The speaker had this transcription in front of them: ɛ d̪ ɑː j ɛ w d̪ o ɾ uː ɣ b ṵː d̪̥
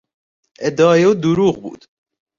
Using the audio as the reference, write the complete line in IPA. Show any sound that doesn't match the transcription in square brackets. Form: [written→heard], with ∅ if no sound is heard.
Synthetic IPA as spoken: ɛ d̪ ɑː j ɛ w d̪ [o→u] ɾ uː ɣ b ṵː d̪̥

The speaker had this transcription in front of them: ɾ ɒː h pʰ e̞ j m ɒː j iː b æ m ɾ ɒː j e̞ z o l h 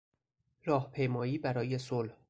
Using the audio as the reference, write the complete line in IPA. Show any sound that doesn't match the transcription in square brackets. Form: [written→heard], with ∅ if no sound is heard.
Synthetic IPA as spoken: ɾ ɒː h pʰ e̞ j m ɒː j iː b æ [m→∅] ɾ ɒː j e̞ [z→s] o l h

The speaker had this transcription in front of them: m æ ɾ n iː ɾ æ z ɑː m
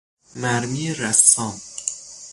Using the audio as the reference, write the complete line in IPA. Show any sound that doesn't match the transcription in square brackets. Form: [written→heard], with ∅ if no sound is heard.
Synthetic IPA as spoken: m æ ɾ [n→m] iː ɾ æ [z→s] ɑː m

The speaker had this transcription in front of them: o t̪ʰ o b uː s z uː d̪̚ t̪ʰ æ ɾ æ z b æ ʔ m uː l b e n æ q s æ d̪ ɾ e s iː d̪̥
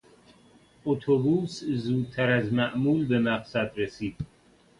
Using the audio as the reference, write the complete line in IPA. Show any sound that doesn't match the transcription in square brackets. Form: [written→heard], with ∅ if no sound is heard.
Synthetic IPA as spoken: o t̪ʰ o b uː s z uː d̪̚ t̪ʰ æ ɾ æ z [b→m] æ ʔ m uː l b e [n→m] æ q s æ d̪ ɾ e s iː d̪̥

